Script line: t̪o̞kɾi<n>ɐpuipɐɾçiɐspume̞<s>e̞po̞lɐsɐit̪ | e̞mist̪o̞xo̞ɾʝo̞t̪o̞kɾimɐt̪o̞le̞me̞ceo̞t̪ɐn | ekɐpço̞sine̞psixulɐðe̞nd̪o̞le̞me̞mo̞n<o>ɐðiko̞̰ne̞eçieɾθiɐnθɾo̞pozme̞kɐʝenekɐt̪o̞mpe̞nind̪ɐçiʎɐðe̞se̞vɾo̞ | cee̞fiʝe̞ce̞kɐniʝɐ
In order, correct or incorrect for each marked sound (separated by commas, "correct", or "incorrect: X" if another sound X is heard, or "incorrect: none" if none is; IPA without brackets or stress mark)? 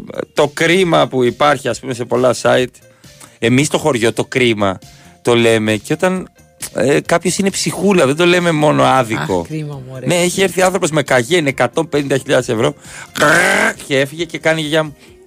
incorrect: m, correct, correct